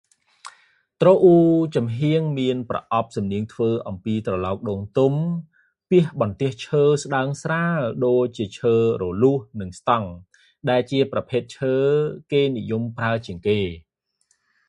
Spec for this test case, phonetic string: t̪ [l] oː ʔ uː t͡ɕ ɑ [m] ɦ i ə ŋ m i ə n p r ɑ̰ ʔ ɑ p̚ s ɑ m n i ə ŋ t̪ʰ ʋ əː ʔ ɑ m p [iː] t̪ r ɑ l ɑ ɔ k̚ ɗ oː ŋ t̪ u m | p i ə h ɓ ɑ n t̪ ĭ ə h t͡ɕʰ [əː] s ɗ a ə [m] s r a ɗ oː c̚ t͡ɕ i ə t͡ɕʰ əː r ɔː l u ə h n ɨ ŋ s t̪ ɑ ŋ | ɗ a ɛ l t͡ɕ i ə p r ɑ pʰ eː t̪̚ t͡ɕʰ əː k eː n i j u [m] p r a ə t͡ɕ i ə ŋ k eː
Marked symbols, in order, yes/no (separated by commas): no, yes, yes, yes, no, yes